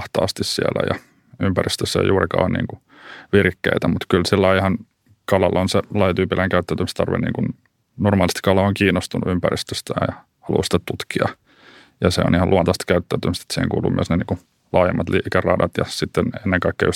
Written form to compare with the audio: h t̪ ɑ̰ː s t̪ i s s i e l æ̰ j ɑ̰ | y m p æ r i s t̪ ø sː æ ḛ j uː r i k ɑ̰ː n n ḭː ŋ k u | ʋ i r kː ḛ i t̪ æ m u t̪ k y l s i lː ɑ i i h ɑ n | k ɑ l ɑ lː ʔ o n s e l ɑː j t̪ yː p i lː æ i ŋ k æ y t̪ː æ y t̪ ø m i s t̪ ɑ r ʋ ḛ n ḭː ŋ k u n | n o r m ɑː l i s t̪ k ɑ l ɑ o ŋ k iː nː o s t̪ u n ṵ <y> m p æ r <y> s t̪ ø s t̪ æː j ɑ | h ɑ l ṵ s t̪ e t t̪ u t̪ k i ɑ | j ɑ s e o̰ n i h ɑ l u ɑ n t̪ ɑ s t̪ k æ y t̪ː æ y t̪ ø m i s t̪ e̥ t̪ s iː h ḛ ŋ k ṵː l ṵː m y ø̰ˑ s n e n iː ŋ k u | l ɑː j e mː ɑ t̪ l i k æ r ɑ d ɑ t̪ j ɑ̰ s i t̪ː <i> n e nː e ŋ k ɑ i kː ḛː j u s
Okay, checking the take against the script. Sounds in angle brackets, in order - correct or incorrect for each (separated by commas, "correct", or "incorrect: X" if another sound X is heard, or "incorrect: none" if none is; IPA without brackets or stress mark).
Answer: correct, incorrect: i, incorrect: e